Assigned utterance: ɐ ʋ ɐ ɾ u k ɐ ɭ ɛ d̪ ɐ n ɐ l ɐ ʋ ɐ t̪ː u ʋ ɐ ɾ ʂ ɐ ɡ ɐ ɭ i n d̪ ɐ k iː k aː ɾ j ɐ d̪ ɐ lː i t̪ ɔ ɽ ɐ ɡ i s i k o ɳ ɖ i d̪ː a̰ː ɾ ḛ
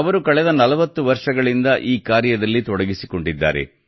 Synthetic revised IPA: ɐ ʋ ɐ ɾ u k ɐ ɭ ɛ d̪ ɐ n ɐ l ɐ ʋ ɐ t̪ː u ʋ ɐ ɾ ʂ ɐ ɡ ɐ ɭ i n d̪ ɐ ʔ iː k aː ɾ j ɐ d̪ ɐ lː i t̪ ɔ ɽ ɐ ɡ i s i k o ɳ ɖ i d̪ː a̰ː ɾ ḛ